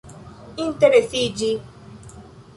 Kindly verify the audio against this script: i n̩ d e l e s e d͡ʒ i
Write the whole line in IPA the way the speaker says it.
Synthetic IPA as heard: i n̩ t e ɾ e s i d͡ʒ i

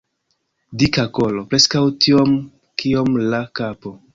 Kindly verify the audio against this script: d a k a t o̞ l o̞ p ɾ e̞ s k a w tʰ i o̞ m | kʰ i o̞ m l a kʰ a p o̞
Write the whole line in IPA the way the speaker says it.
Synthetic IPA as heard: d i k a k o̞ l o̞ p ɾ e̞ s k a w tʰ i o̞ m | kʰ i o̞ m l a k a p o̞

